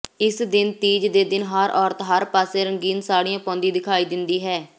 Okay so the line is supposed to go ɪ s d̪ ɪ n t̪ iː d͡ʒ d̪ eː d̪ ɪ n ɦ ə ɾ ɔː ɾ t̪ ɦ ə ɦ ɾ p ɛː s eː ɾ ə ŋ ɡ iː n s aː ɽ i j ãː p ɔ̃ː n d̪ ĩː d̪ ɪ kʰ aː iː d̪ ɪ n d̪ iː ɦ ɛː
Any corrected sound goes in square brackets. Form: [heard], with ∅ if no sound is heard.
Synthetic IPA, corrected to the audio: ɪ s d̪ ɪ n t̪ iː d͡ʒ d̪ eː d̪ ɪ n ɦ ə ɾ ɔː ɾ t̪ ɦ ə [∅] ɾ p [aː] s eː ɾ ə ŋ ɡ iː n s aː ɽ i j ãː p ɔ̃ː n d̪ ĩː d̪ ɪ kʰ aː iː d̪ ɪ n d̪ iː ɦ ɛː